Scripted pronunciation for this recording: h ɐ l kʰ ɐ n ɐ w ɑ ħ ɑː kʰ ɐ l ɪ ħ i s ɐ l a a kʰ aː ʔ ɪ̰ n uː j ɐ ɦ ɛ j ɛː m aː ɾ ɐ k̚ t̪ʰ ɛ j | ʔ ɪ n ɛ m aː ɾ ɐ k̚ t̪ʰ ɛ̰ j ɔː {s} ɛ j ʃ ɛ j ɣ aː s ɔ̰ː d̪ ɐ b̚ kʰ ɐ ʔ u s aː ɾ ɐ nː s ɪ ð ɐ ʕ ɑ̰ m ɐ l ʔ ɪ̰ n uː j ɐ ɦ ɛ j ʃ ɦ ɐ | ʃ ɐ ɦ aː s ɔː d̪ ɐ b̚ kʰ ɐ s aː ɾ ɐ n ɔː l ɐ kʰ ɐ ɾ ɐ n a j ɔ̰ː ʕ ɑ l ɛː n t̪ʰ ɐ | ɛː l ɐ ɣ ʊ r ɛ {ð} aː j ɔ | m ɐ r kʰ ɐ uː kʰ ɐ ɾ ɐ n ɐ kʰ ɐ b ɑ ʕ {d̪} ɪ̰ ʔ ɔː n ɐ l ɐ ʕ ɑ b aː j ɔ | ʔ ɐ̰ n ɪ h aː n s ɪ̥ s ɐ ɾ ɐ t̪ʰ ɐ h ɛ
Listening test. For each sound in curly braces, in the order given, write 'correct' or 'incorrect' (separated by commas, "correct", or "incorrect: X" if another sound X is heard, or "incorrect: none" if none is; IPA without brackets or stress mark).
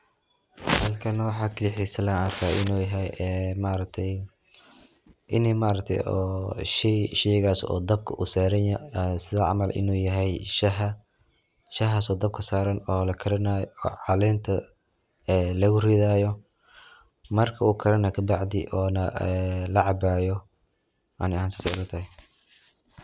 incorrect: ʃ, correct, correct